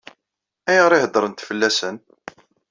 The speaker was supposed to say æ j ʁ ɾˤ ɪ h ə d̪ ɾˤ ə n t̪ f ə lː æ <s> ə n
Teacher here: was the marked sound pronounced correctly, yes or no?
yes